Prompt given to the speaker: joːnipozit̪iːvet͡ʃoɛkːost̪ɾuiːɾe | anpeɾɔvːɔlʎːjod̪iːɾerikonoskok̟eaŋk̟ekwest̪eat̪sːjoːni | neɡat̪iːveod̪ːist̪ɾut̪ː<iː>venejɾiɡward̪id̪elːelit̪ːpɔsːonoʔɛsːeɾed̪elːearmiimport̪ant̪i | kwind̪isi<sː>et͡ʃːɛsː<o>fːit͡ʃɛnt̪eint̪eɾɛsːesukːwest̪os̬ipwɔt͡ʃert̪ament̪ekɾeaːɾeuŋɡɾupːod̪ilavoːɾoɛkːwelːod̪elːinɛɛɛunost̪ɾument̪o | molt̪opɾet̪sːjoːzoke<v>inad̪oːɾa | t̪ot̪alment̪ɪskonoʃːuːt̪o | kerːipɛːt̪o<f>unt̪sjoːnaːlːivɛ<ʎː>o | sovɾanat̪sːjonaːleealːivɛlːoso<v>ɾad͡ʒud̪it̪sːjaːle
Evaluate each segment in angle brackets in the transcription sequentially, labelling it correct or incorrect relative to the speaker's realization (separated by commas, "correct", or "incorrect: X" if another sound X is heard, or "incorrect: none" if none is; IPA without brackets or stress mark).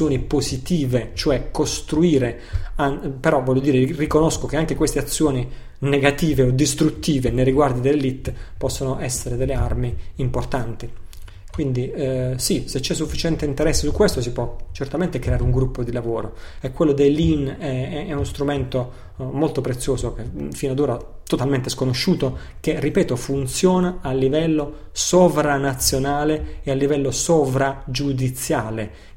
correct, incorrect: s, incorrect: u, incorrect: f, correct, incorrect: lː, correct